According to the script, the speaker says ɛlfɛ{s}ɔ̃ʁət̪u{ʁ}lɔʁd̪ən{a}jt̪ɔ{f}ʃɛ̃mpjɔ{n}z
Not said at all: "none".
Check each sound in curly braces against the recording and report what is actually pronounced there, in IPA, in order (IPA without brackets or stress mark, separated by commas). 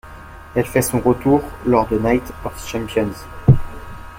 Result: s, ʁ, a, f, n